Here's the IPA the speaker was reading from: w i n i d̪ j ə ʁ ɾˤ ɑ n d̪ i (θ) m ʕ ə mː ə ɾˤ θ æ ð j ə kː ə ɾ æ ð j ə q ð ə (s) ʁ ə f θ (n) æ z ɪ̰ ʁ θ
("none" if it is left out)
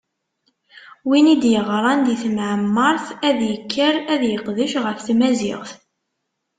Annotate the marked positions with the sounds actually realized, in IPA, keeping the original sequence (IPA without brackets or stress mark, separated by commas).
θ, ʃ, m